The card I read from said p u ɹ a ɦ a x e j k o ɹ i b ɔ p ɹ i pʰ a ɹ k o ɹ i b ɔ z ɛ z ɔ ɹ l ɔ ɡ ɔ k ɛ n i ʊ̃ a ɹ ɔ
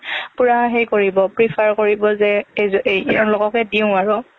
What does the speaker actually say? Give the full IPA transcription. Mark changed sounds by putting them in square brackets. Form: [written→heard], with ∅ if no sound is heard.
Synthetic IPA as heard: p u ɹ a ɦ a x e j k o ɹ i b ɔ p ɹ i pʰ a ɹ k o ɹ i b ɔ z ɛ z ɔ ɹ l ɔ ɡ ɔ k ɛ [n→d] i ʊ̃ a ɹ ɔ